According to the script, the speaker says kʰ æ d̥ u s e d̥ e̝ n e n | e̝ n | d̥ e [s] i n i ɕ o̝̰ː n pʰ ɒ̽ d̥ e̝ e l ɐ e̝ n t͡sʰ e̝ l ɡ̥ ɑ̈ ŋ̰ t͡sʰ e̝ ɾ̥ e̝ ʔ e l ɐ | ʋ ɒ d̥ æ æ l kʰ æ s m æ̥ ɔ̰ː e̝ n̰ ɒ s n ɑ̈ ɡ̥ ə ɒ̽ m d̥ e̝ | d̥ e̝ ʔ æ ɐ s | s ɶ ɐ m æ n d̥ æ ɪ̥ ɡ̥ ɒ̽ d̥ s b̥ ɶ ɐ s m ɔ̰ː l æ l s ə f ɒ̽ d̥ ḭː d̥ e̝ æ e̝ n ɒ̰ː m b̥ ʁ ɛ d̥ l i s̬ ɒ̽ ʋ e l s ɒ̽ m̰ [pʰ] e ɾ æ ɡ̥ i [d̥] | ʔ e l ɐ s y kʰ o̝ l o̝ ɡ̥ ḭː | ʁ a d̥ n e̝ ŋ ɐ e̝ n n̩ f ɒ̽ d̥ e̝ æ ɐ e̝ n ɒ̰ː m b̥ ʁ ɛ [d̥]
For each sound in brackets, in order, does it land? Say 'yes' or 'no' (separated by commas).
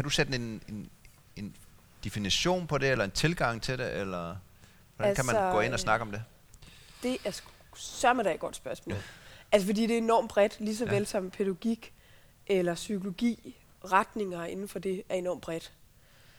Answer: no, yes, no, yes